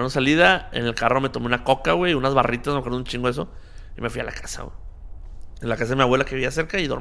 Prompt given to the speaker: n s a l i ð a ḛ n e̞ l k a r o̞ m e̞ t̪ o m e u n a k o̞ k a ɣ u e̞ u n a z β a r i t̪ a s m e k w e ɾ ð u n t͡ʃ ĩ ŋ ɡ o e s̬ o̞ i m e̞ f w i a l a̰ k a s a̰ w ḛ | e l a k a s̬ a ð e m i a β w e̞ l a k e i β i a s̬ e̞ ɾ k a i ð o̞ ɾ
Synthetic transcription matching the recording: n s a l i ð a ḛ n e̞ l k a r o̞ m e̞ t̪ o m e u n a k o̞ k a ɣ w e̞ u n a z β a r i t̪ a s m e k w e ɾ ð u n t͡ʃ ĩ ŋ ɡ o e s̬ o̞ i m e̞ f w i a l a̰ k a s a̰ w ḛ | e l a k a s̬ a ð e m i a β w e̞ l a k e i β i a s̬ e̞ ɾ k a i ð o̞ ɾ